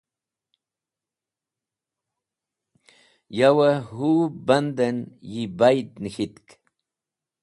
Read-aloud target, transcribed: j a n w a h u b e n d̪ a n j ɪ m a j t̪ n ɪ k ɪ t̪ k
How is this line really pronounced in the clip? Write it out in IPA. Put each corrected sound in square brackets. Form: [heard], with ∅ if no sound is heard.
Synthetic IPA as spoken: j a [∅] w a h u b [a] n d̪ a n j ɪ [b] a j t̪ n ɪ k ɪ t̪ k